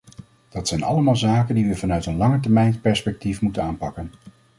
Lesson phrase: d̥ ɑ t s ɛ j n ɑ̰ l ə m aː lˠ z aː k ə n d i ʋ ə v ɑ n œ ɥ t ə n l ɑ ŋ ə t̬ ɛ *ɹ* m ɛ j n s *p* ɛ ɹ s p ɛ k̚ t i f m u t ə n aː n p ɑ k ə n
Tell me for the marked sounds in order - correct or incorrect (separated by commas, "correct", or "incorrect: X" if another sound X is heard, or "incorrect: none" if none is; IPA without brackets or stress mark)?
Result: correct, correct